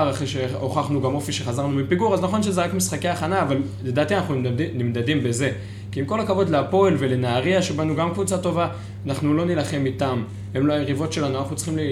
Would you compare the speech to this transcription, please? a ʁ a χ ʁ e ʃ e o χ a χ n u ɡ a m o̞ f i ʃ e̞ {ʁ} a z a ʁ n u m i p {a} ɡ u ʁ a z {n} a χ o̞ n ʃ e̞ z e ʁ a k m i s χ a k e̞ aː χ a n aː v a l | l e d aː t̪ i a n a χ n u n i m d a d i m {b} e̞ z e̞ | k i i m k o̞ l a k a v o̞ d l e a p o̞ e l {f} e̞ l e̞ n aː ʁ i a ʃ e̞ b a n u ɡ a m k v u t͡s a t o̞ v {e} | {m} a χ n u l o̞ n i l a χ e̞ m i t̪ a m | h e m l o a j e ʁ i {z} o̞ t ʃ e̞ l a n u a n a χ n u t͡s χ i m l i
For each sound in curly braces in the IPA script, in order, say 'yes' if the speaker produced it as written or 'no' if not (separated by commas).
no, no, yes, yes, no, no, no, no